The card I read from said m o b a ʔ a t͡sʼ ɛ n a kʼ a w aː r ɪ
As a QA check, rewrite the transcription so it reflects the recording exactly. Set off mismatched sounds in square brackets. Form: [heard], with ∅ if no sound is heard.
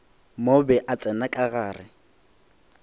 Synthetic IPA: m o b [ɛ] ʔ a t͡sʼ ɛ n a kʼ a [ɣ] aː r ɪ